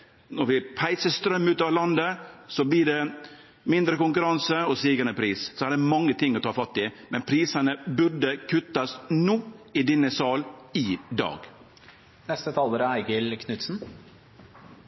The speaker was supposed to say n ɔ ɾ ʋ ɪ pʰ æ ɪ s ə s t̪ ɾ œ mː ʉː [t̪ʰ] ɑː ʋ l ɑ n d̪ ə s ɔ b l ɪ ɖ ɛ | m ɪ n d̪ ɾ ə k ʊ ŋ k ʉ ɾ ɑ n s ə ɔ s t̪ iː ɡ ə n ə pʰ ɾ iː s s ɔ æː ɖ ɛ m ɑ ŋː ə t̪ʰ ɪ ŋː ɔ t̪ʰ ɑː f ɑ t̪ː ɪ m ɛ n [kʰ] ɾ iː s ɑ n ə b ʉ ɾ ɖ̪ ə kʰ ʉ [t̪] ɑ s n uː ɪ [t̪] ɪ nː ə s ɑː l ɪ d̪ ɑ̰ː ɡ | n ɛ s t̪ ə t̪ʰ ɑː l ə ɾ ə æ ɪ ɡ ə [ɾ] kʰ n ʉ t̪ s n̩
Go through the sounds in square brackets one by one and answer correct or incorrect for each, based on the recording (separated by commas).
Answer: incorrect, incorrect, correct, incorrect, incorrect